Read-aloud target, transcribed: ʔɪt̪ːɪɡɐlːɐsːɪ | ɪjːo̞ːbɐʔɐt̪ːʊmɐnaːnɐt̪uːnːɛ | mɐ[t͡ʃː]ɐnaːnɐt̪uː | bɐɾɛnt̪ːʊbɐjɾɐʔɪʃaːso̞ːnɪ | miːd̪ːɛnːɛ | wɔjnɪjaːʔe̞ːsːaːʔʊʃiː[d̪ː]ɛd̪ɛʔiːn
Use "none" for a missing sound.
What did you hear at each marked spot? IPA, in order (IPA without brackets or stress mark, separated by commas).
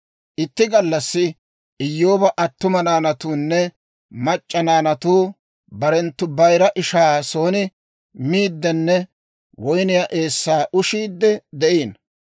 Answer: t͡ʃʼː, d̪ː